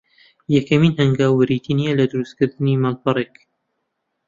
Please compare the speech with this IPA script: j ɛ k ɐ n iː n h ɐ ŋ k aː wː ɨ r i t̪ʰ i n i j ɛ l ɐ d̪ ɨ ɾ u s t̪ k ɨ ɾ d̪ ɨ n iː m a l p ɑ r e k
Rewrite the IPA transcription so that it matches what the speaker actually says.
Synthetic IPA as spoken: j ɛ k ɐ m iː n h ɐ ŋ ɡ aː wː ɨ ɾ i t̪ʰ i n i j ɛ l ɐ d̪ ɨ ɾ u s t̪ k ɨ ɾ d̪ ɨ n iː m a l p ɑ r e k